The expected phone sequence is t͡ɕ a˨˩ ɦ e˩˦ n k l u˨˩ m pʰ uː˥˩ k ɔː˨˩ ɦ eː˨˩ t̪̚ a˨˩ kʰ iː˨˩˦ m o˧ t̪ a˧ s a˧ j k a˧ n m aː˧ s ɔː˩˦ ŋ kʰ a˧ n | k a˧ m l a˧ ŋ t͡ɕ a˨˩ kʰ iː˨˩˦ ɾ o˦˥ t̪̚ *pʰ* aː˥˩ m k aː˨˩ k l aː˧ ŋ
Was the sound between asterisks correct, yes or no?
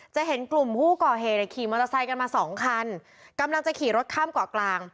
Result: no